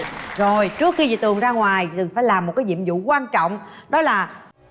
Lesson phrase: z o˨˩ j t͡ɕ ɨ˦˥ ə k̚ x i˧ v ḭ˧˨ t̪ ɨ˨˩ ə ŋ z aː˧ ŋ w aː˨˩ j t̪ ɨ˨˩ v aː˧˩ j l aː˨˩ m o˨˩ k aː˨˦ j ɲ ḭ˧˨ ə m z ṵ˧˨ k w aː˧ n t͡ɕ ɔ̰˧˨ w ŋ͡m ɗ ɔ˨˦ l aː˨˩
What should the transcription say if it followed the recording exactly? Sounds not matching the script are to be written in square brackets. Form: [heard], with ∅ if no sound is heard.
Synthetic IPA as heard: z o˨˩ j t͡ɕ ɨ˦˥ ə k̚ x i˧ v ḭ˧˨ t̪ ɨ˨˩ ə ŋ z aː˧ ŋ w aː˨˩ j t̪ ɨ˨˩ [f] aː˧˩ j l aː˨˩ m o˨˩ k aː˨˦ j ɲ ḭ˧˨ ə m z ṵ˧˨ k w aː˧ n t͡ɕ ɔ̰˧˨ w ŋ͡m ɗ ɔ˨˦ l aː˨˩